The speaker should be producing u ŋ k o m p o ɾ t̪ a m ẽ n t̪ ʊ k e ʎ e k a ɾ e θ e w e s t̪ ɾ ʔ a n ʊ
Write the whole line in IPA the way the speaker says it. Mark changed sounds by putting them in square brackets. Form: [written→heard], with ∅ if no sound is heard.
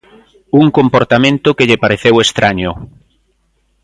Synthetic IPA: u ŋ k o m p o ɾ t̪ a m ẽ n t̪ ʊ k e ʎ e [k→p] a ɾ e θ e w e s t̪ ɾ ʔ a [n→ɲ] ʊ